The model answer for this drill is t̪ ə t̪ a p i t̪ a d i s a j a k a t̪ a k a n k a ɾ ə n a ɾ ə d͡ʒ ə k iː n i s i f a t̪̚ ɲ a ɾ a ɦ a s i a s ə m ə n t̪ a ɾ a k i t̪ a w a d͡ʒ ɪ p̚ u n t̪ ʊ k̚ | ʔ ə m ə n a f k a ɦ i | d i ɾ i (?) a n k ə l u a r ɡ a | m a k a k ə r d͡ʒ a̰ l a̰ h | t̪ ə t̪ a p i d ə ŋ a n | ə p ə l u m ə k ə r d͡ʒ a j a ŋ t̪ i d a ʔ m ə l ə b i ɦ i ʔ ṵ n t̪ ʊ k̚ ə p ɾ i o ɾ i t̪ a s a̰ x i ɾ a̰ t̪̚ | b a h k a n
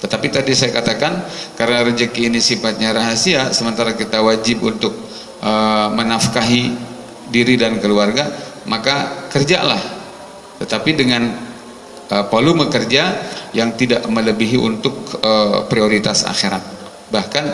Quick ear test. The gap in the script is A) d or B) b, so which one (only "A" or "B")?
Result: A